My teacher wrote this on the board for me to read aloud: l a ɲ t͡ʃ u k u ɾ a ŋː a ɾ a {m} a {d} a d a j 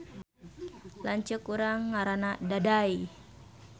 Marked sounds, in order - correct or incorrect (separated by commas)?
incorrect, correct